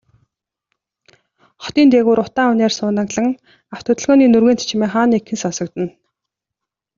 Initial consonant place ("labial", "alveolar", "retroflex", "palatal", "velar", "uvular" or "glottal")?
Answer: uvular